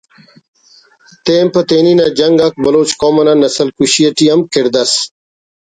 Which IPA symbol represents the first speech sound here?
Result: t̪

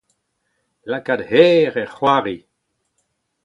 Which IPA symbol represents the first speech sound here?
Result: l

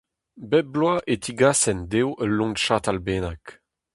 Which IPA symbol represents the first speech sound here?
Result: b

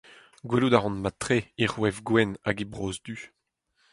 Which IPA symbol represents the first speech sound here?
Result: ɡ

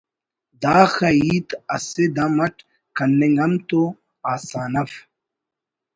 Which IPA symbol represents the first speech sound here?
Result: d̪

